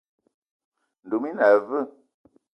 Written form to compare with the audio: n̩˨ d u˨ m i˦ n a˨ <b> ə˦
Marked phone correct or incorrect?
incorrect